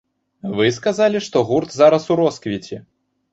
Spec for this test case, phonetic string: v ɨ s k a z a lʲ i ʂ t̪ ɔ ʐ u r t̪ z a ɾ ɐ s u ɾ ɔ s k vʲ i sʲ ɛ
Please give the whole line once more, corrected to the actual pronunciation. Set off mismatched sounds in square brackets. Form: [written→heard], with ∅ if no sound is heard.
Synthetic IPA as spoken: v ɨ s k a z a lʲ i ʂ t̪ ɔ [ʐ→ɣ] u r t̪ z a ɾ ɐ s u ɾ ɔ s k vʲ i [sʲ→t͡sʲ] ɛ